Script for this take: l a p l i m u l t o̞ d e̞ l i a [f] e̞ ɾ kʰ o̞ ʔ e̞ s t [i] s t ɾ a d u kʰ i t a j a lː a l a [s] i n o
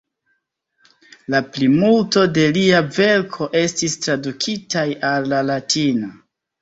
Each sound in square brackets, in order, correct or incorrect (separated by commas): incorrect, correct, incorrect